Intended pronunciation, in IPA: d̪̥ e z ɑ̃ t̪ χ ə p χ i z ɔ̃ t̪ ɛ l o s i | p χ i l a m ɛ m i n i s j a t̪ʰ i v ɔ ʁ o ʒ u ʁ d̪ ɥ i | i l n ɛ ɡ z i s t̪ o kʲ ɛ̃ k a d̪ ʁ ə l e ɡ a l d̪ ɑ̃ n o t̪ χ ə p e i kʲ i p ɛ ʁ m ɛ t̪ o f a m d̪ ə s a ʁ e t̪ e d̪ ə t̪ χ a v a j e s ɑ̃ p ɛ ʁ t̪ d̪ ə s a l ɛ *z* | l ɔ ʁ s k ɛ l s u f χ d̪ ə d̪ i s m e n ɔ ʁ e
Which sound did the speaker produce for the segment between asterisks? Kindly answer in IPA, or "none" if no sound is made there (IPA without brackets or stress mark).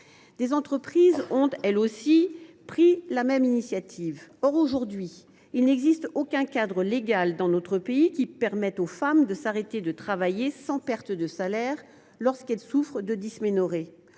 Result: ʁ